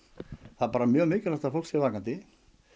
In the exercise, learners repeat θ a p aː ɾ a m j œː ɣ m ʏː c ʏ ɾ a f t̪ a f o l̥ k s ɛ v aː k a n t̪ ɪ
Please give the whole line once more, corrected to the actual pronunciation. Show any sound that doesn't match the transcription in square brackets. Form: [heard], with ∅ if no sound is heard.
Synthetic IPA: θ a p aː ɾ a m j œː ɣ m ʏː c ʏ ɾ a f t̪ a f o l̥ k s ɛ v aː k a n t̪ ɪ